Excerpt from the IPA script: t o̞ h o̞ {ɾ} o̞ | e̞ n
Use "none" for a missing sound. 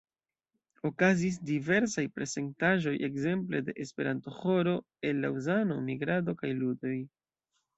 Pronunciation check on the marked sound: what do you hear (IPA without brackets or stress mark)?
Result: ɾ